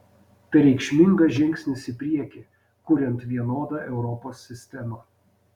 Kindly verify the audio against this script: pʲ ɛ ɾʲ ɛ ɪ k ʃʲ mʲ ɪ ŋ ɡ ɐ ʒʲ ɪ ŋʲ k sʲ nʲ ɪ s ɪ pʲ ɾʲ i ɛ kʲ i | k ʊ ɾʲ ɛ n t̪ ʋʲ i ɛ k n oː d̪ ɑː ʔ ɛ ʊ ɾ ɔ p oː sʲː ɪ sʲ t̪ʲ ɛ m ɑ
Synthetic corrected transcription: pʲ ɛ ɾʲ ɛ ɪ k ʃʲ mʲ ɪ ŋ ɡ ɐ ʒʲ ɪ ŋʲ k sʲ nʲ ɪ s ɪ pʲ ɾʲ i ɛ kʲ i | k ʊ ɾʲ ɛ n t̪ ʋʲ i ɛ n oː d̪ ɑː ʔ ɛ ʊ ɾ ɔ p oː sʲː ɪ sʲ t̪ʲ ɛ m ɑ